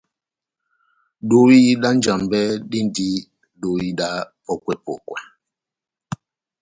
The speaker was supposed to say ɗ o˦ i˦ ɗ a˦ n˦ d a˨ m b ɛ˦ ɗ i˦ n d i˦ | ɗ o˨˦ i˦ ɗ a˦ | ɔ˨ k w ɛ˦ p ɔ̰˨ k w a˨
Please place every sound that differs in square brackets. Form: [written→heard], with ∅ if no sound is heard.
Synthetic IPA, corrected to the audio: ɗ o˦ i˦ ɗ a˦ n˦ [d→d͡ʒ] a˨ m b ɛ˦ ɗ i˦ n d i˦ | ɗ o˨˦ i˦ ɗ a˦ | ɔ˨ k w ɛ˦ p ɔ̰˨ k w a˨